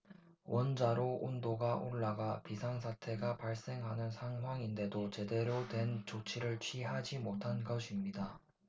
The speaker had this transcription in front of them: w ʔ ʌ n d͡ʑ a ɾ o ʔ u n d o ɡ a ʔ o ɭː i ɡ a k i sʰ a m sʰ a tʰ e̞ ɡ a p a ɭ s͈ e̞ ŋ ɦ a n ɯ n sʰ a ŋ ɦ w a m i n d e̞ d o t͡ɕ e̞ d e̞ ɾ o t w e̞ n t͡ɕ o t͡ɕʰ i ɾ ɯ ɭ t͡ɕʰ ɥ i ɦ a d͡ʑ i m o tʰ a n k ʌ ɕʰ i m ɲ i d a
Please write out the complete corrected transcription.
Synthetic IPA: w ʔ ʌ n d͡ʑ a ɾ o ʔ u n d o ɡ a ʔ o ɭː a ɡ a p i sʰ a ŋ sʰ a tʰ e̞ ɡ a p a ɭ s͈ e̞ ŋ ɦ a n ɯ n sʰ a ŋ ɦ w a ŋ i n d e̞ d o t͡ɕ e̞ d e̞ ɾ o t w e̞ n t͡ɕ o t͡ɕʰ i ɾ ɯ ɭ t͡ɕʰ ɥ i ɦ a d͡ʑ i m o tʰ a n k ʌ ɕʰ i m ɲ i d a